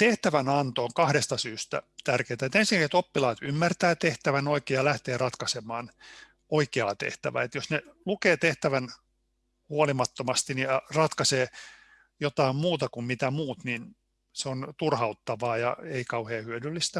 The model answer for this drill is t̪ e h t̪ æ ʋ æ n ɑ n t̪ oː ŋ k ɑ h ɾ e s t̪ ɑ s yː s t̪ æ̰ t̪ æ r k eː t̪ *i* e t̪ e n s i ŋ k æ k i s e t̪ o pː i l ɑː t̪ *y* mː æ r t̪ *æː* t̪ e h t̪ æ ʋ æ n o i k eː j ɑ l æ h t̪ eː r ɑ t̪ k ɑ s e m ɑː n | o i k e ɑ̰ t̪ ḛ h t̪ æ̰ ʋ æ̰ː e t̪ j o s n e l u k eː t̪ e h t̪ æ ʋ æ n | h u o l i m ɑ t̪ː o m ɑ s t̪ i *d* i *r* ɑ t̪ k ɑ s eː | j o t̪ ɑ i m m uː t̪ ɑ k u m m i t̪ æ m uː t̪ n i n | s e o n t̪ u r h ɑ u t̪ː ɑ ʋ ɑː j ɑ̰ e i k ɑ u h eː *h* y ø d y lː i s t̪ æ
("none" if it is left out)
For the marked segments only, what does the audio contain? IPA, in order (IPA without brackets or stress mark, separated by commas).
æ, y, æː, n, r, h